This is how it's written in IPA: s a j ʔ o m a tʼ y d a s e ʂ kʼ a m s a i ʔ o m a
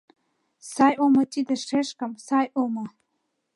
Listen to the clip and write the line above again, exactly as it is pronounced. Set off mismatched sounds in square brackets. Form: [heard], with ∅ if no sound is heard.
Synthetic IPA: s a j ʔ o m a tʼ [i] d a [ʂ] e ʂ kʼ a m s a [j] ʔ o m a